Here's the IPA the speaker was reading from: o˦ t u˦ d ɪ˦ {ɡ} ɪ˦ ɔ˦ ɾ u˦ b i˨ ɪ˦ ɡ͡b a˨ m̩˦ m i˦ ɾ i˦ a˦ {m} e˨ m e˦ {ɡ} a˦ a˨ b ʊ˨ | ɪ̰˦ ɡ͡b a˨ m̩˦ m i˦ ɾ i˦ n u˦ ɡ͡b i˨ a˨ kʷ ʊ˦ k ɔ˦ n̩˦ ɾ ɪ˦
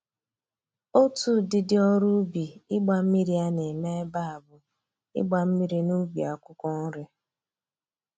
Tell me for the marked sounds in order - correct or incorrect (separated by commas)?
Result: incorrect, incorrect, incorrect